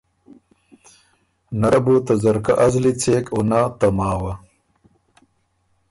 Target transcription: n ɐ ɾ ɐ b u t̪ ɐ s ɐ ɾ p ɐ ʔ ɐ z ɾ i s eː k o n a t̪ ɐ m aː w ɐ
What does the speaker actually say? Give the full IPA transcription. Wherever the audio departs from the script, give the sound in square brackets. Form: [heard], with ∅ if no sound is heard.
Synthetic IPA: n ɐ ɾ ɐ b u t̪ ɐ [z] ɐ ɾ [k] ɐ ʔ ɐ z [l] i [t͡s] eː k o n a t̪ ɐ m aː w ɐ